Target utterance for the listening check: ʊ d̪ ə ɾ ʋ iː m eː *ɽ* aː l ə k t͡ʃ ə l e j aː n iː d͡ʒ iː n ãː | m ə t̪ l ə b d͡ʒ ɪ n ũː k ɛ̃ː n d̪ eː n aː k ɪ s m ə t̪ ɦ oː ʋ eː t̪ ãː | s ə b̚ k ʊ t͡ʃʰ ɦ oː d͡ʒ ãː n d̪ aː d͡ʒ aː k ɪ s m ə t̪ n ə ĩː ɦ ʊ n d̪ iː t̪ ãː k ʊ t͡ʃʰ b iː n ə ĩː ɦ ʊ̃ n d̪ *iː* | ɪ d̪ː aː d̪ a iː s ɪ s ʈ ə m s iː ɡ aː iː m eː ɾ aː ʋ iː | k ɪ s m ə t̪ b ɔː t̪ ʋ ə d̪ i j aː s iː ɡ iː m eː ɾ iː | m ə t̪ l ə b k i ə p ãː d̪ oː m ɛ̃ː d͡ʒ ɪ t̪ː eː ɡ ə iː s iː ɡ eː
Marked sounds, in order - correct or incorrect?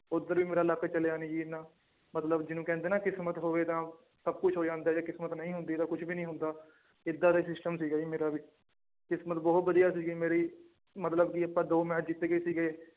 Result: incorrect: ɾ, incorrect: aː

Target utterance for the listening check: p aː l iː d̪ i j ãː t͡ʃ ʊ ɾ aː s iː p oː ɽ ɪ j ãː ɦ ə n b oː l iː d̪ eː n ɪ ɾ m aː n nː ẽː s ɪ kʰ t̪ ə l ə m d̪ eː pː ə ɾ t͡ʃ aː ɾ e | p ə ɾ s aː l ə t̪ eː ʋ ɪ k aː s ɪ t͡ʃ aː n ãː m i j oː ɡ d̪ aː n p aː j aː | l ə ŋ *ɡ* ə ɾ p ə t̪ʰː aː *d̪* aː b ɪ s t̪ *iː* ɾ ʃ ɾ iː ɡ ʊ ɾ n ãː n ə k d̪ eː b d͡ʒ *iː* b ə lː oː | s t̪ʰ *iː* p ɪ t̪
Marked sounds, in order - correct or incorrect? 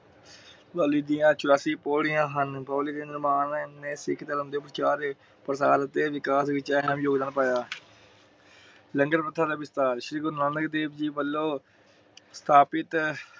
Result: correct, correct, incorrect: aː, correct, incorrect: aː

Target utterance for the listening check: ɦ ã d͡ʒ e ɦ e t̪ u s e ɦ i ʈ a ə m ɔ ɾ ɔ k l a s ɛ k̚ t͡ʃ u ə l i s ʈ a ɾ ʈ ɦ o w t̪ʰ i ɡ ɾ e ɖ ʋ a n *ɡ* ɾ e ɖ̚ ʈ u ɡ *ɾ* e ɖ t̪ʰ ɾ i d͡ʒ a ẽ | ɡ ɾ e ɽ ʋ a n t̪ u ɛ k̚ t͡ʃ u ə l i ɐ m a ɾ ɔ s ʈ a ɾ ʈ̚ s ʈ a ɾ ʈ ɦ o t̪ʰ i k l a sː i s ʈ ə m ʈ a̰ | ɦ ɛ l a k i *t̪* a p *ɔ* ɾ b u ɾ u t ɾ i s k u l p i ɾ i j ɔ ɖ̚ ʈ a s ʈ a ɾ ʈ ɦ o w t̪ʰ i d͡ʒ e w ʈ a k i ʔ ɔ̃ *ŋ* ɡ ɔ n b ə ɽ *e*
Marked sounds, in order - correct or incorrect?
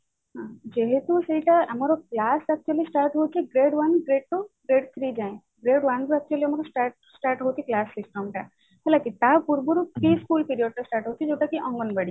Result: correct, correct, correct, incorrect: u, correct, incorrect: i

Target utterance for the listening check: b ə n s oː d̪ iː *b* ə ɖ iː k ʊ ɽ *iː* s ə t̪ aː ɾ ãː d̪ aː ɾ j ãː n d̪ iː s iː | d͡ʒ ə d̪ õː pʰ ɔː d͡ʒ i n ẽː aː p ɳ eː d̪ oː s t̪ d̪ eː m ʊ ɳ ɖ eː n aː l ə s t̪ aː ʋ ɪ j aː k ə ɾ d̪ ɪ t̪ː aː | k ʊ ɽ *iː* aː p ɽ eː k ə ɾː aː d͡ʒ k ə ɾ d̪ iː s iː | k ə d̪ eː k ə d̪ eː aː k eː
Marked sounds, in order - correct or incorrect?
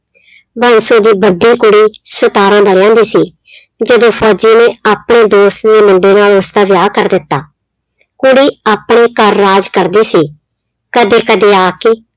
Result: correct, correct, correct

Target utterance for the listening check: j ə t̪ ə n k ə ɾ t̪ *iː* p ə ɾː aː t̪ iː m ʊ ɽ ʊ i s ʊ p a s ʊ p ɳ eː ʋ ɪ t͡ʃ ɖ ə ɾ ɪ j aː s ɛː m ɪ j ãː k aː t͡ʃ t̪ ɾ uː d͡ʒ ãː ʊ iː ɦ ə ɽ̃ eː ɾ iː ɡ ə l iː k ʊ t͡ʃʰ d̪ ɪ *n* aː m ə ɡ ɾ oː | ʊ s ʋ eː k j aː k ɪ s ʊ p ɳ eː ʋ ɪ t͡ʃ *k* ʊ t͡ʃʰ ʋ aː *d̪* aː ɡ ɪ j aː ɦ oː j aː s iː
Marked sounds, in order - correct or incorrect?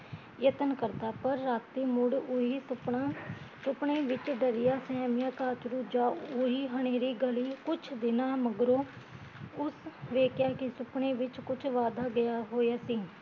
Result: incorrect: aː, correct, correct, correct

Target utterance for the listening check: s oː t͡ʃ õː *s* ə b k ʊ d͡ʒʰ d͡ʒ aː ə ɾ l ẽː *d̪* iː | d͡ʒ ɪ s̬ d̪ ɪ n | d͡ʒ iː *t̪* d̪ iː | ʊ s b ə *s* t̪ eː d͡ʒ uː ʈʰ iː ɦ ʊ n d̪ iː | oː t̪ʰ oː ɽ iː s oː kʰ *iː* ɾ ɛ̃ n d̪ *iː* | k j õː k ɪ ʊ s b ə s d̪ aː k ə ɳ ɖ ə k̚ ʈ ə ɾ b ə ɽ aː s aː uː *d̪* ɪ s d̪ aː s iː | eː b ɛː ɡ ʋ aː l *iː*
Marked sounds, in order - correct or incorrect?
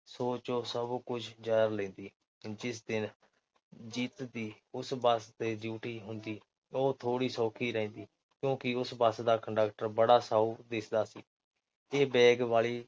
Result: correct, correct, correct, correct, correct, correct, correct, correct

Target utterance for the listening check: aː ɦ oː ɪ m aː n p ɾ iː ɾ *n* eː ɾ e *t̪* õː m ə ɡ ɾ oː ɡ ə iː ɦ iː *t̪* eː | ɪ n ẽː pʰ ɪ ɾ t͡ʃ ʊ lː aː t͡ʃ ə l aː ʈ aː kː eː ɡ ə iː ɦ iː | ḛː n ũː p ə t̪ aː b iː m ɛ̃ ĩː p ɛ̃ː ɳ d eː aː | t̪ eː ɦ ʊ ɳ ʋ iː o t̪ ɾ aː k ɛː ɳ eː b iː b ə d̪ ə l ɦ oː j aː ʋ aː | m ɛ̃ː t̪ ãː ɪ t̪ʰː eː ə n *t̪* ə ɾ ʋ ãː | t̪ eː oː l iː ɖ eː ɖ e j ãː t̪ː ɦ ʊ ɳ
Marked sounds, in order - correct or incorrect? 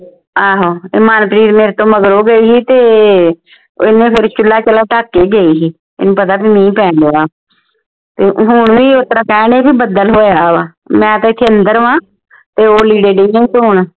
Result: incorrect: m, correct, correct, incorrect: d̪

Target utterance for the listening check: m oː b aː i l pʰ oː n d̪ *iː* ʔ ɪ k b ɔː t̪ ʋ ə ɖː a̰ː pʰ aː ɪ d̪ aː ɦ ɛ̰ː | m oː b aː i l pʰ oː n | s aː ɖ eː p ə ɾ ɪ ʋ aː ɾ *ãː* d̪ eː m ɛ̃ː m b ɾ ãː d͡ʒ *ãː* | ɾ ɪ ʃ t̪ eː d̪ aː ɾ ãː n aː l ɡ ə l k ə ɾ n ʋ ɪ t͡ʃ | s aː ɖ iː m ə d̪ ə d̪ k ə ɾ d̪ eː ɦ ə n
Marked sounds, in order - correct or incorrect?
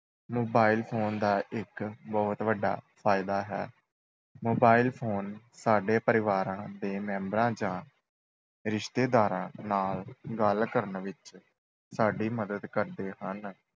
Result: incorrect: aː, correct, correct

